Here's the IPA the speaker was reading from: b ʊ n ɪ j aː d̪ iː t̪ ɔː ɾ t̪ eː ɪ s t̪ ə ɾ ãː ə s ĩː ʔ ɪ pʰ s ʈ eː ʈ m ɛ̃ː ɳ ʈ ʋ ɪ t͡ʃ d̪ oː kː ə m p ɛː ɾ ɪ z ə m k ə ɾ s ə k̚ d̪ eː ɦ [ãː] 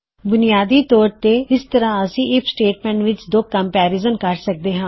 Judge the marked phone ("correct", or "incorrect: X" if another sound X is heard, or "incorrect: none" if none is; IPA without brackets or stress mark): correct